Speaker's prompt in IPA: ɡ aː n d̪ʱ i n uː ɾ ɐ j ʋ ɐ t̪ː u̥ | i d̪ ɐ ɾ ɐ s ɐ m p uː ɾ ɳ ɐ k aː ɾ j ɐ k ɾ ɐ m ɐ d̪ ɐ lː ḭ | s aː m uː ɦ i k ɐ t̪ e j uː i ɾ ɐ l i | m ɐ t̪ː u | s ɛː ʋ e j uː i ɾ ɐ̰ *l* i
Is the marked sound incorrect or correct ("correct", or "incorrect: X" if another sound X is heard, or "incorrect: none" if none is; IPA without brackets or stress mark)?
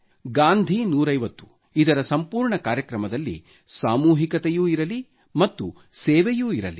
correct